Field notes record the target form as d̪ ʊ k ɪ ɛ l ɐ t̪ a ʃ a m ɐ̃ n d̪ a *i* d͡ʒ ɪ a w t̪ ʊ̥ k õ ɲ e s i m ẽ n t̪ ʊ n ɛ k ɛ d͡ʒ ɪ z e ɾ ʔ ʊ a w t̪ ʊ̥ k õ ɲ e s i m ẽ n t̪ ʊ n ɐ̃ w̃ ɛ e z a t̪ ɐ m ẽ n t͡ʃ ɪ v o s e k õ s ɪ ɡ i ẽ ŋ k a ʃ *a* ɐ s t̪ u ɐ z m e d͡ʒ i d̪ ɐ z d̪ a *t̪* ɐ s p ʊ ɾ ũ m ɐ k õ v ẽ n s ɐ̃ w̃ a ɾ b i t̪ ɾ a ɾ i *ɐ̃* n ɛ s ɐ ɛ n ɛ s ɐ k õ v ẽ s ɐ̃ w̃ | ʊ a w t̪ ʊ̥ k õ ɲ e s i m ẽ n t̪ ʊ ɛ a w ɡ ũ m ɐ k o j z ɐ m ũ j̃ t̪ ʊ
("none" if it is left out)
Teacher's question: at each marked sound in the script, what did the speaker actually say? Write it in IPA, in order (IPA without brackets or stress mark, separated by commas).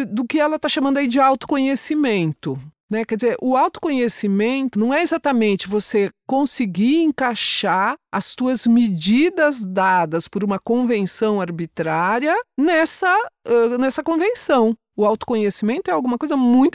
i, a, d̪, ɐ